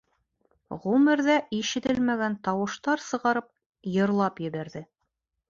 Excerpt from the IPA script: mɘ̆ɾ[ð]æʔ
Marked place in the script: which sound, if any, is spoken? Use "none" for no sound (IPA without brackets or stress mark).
ð